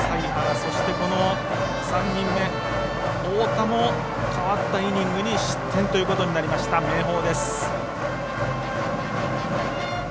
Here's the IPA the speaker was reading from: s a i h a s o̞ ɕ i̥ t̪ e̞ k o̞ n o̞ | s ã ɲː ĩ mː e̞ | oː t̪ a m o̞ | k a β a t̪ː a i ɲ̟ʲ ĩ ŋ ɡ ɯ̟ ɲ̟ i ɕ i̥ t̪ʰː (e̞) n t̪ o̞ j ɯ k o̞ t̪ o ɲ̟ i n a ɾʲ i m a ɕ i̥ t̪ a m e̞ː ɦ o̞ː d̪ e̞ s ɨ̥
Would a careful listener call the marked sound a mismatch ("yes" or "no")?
yes